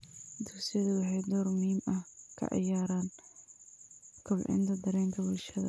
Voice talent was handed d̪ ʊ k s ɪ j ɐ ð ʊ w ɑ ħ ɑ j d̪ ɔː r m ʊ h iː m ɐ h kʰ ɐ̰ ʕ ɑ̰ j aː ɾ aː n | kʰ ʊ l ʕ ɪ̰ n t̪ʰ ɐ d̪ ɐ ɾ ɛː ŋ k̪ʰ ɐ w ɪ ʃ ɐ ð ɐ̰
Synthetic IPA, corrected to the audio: d̪ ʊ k s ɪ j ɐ ð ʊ w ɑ ħ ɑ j d̪ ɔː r m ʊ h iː m ɐ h kʰ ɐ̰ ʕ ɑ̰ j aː ɾ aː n | kʰ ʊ l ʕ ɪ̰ n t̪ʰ ɐ d̪ ɐ ɾ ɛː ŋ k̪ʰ ɐ w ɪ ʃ ɐ ð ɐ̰